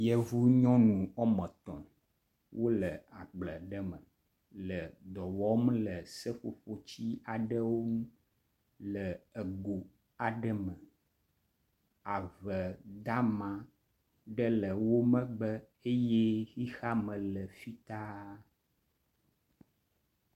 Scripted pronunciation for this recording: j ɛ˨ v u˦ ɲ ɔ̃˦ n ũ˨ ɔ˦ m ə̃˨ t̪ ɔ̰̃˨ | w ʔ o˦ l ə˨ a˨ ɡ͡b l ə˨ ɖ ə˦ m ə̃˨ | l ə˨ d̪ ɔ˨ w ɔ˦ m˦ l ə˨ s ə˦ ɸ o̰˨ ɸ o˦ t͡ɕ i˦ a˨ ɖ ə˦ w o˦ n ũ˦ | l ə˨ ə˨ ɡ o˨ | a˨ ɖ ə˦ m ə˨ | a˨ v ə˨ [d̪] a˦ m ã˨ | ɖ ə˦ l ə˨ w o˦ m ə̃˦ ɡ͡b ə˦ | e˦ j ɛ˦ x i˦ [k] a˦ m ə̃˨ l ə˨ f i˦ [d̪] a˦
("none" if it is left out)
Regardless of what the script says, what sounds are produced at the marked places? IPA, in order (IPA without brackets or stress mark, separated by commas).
d̪, x, t̪